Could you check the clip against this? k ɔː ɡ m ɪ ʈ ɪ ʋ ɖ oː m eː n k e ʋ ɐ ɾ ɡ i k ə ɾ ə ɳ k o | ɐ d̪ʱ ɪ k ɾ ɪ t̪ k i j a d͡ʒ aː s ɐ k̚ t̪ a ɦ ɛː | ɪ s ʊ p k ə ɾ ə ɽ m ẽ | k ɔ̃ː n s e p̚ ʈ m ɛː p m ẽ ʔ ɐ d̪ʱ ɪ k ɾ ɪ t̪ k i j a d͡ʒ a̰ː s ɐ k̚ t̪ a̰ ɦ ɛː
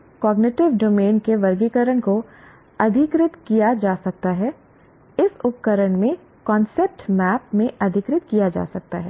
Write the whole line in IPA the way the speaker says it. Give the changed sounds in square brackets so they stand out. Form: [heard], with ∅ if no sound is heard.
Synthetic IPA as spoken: k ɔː ɡ [n] ɪ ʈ ɪ ʋ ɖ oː m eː n k e ʋ ɐ ɾ ɡ i k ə ɾ ə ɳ k o | ɐ d̪ʱ ɪ k ɾ ɪ t̪ k i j a d͡ʒ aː s ɐ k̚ t̪ a ɦ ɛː | ɪ s ʊ p k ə ɾ ə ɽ m ẽ | k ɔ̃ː n s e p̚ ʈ m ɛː p m ẽ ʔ ɐ d̪ʱ ɪ k ɾ ɪ t̪ k i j a d͡ʒ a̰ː s ɐ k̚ t̪ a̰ ɦ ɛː